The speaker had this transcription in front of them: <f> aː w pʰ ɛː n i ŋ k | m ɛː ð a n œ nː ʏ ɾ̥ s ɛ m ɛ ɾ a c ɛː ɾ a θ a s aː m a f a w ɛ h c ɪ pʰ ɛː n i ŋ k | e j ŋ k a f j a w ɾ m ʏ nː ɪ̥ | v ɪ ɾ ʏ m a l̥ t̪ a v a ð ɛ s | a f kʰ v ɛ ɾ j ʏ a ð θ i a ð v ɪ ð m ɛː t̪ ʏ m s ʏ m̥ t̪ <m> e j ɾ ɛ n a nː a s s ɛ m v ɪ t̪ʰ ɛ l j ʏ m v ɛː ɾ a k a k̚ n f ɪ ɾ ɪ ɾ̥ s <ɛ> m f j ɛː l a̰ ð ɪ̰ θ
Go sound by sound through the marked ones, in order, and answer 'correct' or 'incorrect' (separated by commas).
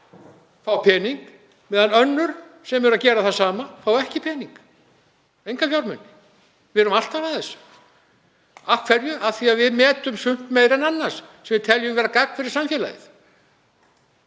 correct, correct, incorrect